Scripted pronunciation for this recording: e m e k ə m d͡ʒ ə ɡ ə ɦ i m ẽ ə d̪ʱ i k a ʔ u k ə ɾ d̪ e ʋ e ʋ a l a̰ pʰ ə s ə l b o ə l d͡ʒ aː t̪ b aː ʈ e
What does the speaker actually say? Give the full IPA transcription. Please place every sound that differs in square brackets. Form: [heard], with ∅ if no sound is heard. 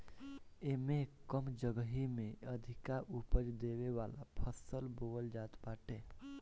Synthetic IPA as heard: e m e k ə m d͡ʒ ə ɡ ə ɦ i m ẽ ə d̪ʱ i k a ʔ u [p] ə ɾ d̪ e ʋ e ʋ a l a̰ pʰ ə s ə l b o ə l d͡ʒ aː t̪ b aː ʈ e